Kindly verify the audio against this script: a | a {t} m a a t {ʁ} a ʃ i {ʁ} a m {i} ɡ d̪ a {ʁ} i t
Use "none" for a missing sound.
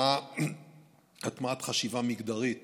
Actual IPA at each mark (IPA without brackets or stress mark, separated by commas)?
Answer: t, χ, v, i, ʁ